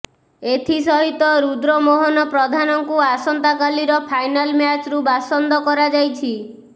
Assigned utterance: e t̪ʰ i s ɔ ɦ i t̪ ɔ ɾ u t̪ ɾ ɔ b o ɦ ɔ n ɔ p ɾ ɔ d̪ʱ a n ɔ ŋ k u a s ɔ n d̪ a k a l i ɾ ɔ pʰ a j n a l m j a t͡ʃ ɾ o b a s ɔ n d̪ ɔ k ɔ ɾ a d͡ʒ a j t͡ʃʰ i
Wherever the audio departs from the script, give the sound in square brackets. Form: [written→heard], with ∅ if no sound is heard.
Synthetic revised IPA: e t̪ʰ i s ɔ ɦ i t̪ ɔ ɾ u [t̪→d̪] ɾ ɔ [b→m] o ɦ ɔ n ɔ p ɾ ɔ d̪ʱ a n ɔ ŋ k u a s ɔ n [d̪→t̪] a k a l i ɾ ɔ pʰ a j n a l m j a t͡ʃ ɾ [o→u] b a s ɔ n d̪ ɔ k ɔ ɾ a d͡ʒ a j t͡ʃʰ i